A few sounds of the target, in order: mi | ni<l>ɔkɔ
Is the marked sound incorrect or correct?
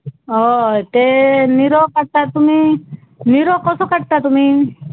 incorrect